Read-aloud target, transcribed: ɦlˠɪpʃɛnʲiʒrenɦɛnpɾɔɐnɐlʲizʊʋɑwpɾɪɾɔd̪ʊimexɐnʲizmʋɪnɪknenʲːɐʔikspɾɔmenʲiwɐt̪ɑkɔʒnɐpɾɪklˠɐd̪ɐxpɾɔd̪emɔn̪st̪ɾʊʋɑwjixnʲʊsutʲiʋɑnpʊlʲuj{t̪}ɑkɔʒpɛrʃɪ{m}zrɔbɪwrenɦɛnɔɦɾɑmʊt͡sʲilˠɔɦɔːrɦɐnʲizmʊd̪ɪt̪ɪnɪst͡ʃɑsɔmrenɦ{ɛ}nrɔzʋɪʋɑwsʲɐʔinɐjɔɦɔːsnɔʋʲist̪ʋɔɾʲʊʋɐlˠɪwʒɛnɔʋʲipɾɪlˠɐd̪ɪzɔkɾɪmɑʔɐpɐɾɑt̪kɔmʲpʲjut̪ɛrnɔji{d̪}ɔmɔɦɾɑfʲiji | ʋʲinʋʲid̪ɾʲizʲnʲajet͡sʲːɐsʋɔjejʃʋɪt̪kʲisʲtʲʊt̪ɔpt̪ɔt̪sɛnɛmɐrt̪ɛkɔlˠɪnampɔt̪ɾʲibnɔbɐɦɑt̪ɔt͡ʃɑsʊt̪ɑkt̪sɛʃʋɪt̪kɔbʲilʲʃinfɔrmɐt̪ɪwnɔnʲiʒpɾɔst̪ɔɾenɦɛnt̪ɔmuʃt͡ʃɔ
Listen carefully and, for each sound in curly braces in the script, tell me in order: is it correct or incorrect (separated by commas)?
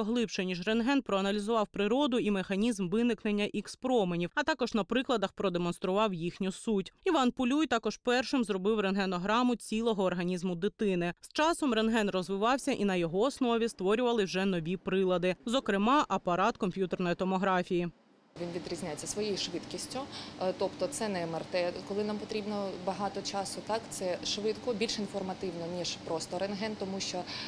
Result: correct, correct, correct, incorrect